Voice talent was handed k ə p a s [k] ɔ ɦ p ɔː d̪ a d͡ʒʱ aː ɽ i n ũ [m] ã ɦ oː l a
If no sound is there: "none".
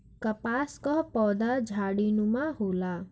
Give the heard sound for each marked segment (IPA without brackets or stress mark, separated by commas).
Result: k, m